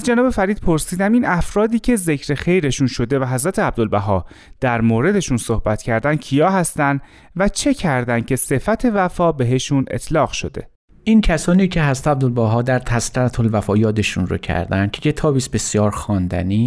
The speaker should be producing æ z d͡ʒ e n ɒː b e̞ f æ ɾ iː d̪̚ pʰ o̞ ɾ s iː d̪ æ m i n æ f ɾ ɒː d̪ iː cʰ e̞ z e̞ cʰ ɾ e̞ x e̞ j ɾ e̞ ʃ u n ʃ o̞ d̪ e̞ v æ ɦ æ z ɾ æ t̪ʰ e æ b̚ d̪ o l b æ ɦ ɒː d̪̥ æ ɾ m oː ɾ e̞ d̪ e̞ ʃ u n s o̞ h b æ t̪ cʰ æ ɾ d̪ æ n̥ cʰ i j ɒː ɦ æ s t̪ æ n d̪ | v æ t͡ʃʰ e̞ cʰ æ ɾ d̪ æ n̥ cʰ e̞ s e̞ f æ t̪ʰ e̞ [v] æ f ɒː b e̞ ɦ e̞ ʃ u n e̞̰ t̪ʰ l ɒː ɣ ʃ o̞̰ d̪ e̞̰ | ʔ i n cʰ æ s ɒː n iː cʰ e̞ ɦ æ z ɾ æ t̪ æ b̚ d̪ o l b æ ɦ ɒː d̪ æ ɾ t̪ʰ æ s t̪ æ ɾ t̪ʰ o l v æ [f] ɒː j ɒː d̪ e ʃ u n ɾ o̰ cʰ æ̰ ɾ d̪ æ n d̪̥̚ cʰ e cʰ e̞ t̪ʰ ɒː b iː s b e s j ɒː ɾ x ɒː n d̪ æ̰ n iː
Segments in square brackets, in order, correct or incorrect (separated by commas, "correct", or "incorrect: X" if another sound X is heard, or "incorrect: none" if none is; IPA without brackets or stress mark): correct, correct